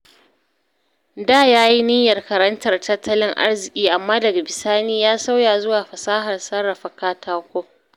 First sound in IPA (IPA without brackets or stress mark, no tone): d